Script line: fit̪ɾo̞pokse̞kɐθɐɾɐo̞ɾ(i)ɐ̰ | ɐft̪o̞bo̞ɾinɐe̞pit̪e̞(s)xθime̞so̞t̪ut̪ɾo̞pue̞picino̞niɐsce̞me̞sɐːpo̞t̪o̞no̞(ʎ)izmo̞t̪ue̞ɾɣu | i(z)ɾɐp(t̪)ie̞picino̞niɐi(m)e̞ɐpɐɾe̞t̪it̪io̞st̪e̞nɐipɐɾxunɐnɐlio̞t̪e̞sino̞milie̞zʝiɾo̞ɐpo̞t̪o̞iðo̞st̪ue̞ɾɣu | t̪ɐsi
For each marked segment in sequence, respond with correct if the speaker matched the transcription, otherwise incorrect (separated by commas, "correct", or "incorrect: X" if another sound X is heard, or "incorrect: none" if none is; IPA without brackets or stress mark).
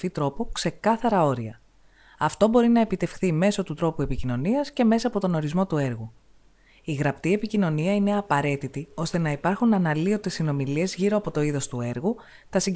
correct, incorrect: f, incorrect: ɾ, incorrect: ɣ, correct, incorrect: n